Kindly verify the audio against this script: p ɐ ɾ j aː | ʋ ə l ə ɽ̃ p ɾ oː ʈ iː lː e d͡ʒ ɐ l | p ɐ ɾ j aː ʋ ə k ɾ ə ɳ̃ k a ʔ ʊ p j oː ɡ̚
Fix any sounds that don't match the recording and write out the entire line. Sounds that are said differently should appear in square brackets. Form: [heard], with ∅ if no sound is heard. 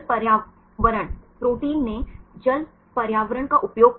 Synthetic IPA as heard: p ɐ ɾ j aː | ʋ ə [ɾ] ə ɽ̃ p ɾ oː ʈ iː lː e d͡ʒ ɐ l | p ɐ ɾ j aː ʋ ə [∅] ɾ ə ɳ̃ k a ʔ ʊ p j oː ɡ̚

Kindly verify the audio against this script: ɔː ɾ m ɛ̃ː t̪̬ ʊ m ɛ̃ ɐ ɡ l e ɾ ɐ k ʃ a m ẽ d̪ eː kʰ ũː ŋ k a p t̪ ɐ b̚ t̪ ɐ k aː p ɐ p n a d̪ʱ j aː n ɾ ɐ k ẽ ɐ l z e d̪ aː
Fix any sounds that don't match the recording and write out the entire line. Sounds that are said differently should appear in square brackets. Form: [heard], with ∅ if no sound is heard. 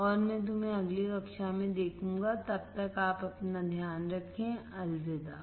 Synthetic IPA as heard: ɔː ɾ m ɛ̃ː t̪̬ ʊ m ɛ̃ ɐ ɡ l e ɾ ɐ k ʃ a m ẽ d̪ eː kʰ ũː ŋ [ɡ] a [∅] t̪ ɐ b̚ t̪ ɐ k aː p ɐ p n a d̪ʱ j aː n ɾ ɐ [kʰ] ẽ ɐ l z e d̪ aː

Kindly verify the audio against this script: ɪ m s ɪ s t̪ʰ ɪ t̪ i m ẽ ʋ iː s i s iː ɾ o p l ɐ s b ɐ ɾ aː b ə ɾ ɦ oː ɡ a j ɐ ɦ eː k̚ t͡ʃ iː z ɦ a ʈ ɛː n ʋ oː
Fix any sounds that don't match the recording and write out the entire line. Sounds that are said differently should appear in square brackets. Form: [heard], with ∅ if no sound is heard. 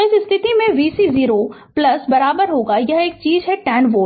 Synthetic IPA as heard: ɪ [∅] s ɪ s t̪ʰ ɪ t̪ i m ẽ ʋ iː s i [z] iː ɾ o p l ɐ s b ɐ ɾ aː b ə ɾ ɦ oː ɡ a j ɐ ɦ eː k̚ t͡ʃ iː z ɦ [ɛ] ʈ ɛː n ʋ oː

